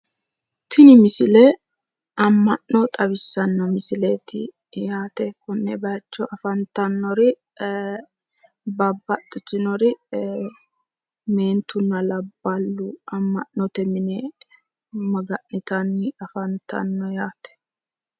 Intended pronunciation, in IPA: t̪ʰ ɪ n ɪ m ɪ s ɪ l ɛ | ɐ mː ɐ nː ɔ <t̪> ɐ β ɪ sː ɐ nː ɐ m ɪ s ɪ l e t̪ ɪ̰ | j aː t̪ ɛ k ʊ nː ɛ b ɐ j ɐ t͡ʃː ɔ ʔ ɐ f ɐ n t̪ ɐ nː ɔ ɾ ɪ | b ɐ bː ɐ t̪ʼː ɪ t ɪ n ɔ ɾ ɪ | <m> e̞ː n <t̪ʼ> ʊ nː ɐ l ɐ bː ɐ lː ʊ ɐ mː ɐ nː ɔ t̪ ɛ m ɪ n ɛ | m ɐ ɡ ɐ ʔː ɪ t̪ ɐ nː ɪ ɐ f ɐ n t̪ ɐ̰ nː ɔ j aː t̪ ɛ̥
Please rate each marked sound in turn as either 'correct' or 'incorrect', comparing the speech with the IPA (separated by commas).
incorrect, correct, incorrect